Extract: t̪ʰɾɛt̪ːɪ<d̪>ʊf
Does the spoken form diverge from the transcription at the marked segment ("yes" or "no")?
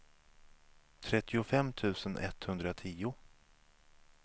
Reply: yes